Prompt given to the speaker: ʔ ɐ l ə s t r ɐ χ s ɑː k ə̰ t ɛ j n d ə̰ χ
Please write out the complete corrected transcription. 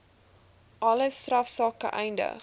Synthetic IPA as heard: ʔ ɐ l ə s t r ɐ f s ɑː k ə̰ ʔ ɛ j n d ə̰ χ